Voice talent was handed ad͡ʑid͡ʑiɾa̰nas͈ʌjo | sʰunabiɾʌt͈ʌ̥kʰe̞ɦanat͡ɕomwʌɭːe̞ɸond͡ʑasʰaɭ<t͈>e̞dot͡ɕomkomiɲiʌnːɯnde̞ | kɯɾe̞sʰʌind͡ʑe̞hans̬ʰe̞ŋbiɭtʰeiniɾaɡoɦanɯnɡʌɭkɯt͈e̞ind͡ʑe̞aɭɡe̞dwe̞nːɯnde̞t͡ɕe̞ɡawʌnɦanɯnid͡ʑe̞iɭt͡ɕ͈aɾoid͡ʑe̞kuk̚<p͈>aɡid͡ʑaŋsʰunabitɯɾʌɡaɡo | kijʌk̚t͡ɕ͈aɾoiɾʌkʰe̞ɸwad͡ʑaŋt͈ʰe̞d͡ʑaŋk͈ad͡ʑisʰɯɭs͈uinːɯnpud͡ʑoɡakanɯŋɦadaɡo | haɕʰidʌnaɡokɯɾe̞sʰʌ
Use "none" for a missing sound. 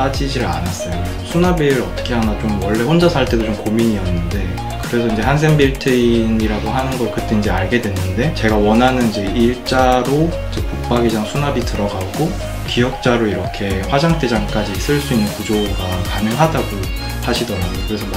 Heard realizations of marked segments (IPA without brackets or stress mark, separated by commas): t͈, p͈